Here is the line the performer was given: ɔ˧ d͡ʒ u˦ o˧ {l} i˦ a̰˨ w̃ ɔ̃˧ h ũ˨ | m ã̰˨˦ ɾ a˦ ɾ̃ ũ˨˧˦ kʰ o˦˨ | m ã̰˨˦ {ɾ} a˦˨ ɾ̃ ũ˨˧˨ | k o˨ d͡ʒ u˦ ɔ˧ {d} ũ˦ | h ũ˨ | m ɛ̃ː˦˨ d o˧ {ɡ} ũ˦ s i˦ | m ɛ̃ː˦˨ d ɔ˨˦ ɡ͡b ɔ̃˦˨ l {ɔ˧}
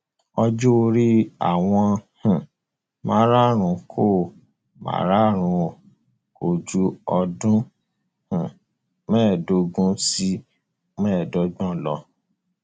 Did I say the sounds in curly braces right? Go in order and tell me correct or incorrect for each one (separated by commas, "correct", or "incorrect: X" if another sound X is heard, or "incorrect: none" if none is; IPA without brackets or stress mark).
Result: incorrect: ɾ, correct, correct, correct, correct